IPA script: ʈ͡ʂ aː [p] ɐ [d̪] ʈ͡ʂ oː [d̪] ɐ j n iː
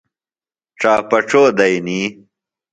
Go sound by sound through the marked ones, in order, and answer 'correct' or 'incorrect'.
correct, incorrect: none, correct

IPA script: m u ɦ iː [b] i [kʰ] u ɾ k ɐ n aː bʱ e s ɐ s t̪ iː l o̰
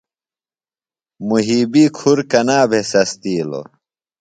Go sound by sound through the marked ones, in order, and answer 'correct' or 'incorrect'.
correct, correct

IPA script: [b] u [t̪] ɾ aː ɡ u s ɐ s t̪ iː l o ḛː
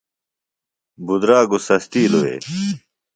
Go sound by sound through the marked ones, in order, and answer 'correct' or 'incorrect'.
correct, incorrect: d̪

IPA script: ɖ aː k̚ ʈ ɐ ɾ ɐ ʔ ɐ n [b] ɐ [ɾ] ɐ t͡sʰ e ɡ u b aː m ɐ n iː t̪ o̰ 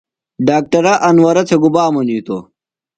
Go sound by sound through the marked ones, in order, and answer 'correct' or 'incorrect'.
incorrect: w, correct

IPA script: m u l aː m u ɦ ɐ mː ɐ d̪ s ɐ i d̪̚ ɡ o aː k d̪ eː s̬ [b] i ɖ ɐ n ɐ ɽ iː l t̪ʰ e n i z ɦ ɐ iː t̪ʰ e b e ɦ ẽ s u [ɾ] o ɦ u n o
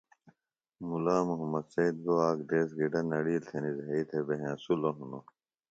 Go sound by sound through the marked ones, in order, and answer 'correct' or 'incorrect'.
incorrect: ɡ, incorrect: l

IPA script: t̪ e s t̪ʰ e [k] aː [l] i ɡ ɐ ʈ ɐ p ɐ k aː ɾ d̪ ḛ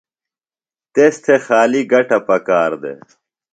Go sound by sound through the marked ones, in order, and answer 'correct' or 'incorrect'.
incorrect: x, correct

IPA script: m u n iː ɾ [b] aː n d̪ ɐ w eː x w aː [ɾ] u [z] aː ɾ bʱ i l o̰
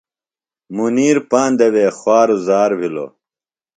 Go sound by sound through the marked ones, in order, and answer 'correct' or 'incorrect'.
incorrect: p, correct, correct

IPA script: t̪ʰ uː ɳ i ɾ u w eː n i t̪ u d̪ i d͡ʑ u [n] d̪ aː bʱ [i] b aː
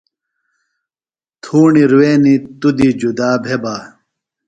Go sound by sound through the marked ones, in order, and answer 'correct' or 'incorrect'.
incorrect: none, incorrect: e

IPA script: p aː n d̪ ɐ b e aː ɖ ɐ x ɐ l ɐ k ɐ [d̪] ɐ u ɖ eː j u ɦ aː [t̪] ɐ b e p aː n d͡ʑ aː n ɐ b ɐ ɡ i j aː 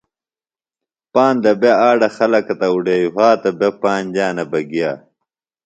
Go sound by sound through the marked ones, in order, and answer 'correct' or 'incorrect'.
incorrect: t̪, correct

